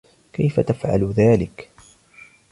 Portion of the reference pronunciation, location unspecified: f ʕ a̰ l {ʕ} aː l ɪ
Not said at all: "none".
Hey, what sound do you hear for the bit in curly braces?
ð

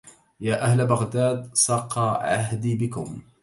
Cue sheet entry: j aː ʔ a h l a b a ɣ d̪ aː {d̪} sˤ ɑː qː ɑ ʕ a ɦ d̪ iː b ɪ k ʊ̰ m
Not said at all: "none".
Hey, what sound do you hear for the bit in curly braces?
d̪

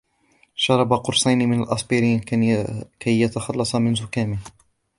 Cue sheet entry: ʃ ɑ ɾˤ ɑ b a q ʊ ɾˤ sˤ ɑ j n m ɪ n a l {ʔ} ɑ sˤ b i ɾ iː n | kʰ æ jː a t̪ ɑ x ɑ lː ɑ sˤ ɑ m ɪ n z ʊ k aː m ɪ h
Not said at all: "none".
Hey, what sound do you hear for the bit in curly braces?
ʔ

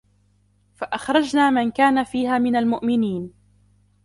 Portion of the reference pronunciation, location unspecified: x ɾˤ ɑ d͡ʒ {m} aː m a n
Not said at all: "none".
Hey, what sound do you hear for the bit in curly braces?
n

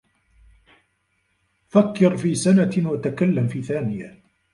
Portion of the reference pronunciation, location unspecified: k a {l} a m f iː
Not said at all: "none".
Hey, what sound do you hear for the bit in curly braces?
lː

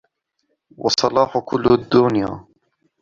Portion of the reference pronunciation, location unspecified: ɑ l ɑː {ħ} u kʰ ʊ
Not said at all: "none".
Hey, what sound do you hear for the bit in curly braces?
ħ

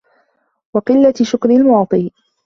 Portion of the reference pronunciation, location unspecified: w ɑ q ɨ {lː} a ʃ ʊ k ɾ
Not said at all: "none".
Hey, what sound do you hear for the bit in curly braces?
lː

